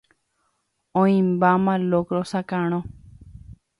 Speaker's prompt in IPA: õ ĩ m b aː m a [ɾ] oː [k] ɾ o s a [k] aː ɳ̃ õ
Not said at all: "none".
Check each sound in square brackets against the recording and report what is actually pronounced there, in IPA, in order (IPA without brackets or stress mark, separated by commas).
l, k, k